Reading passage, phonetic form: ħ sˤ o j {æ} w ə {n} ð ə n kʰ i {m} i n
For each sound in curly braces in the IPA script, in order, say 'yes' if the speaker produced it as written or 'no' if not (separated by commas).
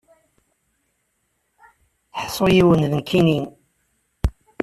no, yes, no